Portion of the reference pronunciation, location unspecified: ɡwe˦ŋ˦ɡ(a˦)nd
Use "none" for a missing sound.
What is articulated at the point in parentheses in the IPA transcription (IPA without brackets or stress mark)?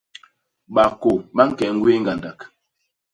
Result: a˨